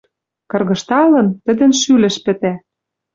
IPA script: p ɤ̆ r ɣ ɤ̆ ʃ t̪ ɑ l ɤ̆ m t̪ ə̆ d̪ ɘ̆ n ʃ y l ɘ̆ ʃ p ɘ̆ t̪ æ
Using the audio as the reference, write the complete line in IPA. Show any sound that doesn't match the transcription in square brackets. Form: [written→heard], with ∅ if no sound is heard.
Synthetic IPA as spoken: [p→k] ɤ̆ r ɣ ɤ̆ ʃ t̪ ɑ l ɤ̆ [m→n] t̪ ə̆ d̪ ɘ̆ n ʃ y l ɘ̆ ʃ p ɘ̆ t̪ æ